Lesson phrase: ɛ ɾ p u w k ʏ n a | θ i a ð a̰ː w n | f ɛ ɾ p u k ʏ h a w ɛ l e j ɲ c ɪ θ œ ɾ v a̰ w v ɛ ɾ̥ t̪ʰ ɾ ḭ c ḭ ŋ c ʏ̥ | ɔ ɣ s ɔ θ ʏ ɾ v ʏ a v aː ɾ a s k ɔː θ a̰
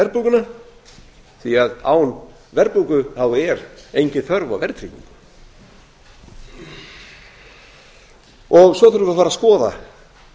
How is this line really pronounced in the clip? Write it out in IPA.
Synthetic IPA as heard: ɛ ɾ p u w k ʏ n a | θ i a ð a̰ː w n | v ɛ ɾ p u k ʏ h a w ɛ ɾ e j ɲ c ɪ θ œ ɾ v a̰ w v ɛ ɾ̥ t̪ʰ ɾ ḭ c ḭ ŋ k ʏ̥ | ɔ ɣ s ɔ θ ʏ ɾ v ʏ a f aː ɾ a s k ɔː ð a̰